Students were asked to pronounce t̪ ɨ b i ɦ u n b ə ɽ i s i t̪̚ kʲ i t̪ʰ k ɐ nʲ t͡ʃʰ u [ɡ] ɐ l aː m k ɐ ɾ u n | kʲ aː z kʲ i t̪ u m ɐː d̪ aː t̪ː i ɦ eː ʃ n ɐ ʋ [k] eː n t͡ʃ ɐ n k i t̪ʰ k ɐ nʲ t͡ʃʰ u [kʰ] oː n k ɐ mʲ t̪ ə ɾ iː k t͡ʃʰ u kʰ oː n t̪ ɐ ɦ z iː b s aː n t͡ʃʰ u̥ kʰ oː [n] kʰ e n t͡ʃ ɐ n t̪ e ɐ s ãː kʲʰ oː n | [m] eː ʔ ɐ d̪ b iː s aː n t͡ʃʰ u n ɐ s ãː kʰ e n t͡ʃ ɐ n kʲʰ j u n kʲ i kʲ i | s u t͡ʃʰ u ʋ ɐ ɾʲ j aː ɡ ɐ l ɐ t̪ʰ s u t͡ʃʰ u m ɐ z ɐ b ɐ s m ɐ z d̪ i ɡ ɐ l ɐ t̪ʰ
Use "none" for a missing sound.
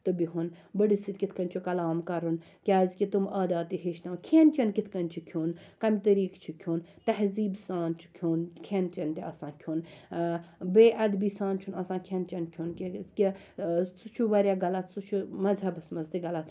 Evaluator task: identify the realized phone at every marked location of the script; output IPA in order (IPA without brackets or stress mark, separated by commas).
k, kʰ, kʰ, n, b